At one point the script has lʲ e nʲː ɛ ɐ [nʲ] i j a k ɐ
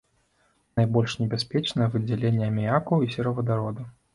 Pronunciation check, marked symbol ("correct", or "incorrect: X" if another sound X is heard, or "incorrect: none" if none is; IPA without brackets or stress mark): incorrect: mʲ